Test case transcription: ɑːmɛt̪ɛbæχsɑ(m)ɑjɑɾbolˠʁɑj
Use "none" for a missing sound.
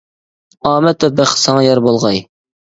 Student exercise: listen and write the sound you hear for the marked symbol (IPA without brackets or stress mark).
ŋ